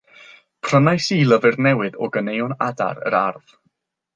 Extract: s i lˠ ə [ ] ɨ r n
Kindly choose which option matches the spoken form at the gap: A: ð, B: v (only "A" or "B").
B